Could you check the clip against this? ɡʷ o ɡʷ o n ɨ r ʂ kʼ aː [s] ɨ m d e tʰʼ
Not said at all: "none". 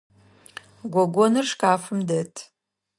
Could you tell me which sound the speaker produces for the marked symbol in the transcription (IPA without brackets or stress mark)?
f